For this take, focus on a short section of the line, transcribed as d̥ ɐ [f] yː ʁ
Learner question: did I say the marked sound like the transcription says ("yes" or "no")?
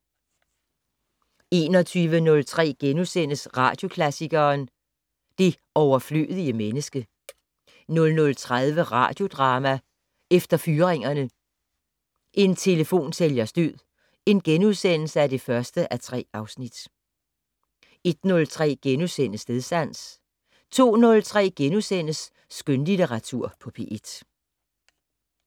yes